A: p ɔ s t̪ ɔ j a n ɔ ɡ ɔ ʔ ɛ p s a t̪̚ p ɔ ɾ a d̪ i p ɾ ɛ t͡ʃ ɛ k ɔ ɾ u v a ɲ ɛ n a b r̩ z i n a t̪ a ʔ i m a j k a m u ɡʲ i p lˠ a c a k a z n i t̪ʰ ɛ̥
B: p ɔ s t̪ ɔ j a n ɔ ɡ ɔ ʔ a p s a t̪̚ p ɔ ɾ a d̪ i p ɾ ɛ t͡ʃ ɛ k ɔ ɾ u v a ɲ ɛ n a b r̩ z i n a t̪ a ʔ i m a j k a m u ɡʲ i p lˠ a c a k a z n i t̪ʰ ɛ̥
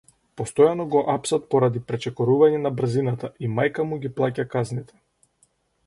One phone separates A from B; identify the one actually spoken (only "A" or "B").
B